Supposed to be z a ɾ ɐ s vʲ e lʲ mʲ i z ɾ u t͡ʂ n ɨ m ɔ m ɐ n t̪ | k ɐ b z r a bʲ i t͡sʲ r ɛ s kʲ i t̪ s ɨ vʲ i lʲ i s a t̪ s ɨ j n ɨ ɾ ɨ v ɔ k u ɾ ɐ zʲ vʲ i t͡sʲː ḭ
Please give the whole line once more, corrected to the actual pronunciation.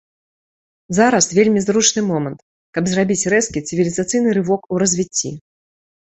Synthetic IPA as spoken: z a ɾ ɐ s vʲ e lʲ mʲ i z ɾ u t͡ʂ n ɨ m ɔ m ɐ n t̪ | k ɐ b z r a bʲ i t͡sʲ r ɛ s kʲ i t̪ s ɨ vʲ i lʲ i z a t̪ s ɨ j n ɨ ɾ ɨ v ɔ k u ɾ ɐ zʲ vʲ i t͡sʲː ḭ